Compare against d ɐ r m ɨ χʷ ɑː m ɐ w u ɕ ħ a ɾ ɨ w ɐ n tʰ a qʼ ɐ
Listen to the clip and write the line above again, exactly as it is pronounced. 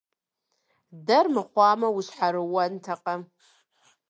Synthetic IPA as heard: d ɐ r m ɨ χʷ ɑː m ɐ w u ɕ ħ a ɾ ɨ w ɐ n tʰ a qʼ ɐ